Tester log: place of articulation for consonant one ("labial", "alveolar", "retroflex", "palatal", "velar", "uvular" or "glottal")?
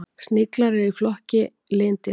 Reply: alveolar